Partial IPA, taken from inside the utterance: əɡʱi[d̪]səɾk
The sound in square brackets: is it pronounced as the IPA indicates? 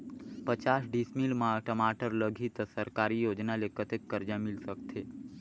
no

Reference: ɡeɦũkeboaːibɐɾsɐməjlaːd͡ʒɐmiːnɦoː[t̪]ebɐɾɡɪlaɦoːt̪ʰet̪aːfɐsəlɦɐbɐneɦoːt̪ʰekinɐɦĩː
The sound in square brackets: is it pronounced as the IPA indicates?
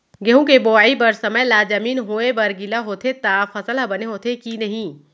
no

